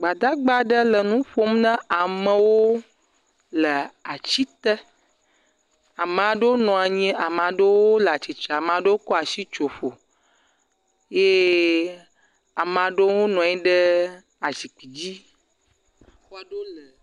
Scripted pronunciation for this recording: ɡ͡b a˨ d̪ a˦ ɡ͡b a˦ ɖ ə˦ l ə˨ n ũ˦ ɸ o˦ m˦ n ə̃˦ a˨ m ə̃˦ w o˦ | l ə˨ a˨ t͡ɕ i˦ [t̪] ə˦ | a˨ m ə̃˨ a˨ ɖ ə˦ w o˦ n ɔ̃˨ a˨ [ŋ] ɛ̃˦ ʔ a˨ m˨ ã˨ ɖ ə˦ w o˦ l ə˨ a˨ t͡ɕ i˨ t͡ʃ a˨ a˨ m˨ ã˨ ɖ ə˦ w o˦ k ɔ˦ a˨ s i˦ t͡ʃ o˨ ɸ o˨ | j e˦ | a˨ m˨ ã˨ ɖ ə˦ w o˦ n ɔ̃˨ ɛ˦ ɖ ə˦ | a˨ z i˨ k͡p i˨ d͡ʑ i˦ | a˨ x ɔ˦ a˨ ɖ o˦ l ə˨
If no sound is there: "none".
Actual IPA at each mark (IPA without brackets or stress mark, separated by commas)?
t̪, ɲ